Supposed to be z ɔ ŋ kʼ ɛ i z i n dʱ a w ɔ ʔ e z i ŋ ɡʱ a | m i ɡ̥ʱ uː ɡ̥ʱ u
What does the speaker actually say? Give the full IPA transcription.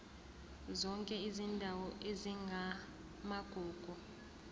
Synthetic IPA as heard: z ɔ ŋ kʼ ɛ i z i n dʱ a w ɔ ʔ e z i ŋ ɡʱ a | m a ɡ̥ʱ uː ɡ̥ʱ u